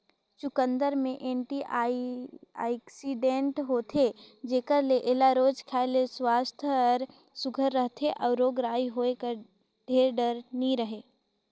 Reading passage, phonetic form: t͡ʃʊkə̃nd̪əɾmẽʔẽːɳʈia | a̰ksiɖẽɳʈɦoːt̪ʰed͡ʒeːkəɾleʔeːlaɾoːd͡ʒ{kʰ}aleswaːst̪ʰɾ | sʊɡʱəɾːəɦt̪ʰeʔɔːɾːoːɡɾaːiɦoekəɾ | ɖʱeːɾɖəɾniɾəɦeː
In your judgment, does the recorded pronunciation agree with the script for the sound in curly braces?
yes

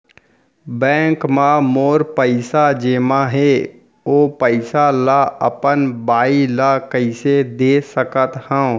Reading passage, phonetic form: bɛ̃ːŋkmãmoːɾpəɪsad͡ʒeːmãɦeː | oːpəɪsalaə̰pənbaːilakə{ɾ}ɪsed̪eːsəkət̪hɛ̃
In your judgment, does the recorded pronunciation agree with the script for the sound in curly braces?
no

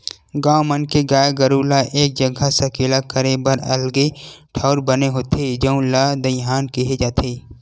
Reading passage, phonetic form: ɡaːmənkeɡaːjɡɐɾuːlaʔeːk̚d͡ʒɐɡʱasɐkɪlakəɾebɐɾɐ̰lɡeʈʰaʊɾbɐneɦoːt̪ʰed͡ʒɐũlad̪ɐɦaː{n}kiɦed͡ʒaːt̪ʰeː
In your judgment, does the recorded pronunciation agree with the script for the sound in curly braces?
yes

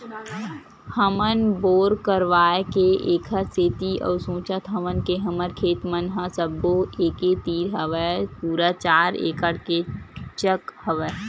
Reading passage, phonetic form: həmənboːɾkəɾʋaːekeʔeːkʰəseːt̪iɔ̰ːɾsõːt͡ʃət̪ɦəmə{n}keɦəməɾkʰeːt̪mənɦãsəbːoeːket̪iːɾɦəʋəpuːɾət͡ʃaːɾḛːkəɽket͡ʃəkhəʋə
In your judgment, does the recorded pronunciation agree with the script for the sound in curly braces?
yes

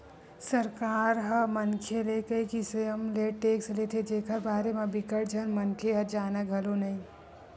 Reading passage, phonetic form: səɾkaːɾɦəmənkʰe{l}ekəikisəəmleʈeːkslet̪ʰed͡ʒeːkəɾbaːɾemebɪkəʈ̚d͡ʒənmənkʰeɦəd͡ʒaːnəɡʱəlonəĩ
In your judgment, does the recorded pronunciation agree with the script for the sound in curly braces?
yes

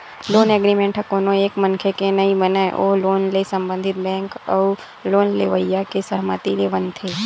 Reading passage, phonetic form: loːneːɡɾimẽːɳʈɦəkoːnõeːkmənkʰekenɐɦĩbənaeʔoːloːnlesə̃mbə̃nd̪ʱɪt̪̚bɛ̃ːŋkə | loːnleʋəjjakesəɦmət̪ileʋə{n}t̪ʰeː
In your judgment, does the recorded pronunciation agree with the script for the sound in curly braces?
yes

